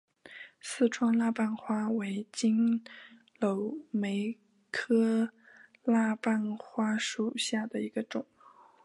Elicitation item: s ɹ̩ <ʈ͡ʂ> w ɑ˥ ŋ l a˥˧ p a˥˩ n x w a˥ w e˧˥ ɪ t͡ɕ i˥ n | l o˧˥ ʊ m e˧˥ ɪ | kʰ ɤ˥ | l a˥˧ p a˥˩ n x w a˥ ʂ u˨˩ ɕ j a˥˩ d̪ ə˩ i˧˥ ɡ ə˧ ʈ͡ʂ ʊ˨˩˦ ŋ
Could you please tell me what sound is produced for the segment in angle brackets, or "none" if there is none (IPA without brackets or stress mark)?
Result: ʈ͡ʂʰ